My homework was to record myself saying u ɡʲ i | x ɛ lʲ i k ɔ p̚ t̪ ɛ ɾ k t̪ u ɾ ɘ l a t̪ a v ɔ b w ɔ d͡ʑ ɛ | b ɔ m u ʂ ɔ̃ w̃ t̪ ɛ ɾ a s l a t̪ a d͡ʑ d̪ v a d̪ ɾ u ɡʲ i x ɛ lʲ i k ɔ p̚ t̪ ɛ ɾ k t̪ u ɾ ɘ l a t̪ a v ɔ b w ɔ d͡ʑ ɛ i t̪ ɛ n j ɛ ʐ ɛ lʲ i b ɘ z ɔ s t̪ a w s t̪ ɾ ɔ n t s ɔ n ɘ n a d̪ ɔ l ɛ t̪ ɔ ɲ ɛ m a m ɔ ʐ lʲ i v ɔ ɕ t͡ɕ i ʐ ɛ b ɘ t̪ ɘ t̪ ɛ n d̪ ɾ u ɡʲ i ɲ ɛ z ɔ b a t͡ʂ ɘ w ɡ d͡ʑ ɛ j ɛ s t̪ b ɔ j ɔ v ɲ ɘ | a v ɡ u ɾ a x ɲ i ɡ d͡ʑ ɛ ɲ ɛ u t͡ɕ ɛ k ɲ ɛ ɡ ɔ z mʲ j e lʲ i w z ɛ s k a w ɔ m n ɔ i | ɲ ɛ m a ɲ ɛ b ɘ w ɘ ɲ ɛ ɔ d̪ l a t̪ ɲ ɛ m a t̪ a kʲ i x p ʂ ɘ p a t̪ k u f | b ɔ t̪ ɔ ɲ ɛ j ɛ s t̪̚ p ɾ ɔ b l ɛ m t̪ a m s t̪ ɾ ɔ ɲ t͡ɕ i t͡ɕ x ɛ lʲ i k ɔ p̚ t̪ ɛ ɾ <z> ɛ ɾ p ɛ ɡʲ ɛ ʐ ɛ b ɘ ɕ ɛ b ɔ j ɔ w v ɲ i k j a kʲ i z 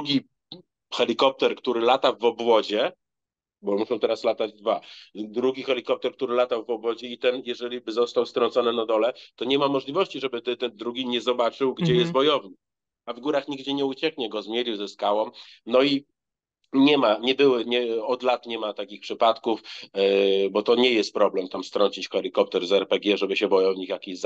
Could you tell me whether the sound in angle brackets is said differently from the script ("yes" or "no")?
no